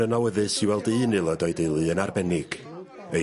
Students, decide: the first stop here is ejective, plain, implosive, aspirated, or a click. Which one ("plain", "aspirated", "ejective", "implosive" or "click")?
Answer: plain